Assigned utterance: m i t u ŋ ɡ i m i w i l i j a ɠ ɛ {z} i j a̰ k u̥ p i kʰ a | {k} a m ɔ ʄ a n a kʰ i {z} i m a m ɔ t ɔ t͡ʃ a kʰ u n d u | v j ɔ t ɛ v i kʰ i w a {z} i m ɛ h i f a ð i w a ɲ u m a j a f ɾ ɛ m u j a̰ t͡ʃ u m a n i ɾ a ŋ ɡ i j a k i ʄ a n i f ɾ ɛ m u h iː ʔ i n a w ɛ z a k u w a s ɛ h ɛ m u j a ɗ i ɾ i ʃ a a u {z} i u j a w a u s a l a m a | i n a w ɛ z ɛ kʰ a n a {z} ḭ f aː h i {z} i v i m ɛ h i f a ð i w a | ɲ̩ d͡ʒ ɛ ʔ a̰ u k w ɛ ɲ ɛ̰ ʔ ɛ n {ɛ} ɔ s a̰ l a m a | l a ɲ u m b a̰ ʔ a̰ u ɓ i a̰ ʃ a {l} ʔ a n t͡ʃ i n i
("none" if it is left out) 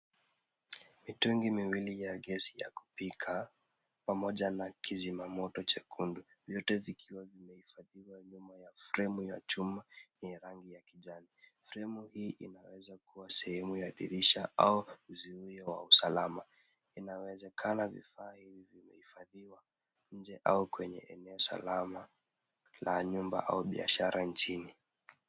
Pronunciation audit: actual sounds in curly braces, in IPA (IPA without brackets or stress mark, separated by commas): s, p, z, v, z, v, v, ɛ, ɾ